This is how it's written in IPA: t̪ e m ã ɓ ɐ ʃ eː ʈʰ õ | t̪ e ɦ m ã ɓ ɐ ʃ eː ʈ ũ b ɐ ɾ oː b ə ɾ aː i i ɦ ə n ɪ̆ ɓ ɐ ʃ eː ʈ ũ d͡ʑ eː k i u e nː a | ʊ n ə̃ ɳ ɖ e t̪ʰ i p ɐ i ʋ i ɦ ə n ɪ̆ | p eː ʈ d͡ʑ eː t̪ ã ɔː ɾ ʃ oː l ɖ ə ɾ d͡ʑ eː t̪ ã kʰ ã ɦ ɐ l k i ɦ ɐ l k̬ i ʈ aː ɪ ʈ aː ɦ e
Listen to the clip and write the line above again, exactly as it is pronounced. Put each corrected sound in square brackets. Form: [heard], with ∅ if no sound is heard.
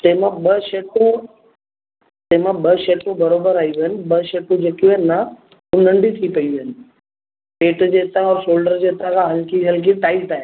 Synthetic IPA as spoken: t̪ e m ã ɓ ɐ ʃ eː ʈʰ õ | t̪ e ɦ m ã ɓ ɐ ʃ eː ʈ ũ b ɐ ɾ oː b ə ɾ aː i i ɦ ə n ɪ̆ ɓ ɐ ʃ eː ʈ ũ d͡ʑ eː k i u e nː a | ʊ n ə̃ ɳ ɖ [i] t̪ʰ i p ɐ i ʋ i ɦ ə n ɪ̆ | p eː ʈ d͡ʑ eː t̪ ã ɔː ɾ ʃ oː l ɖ ə ɾ d͡ʑ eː t̪ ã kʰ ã ɦ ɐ l k i ɦ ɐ l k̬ i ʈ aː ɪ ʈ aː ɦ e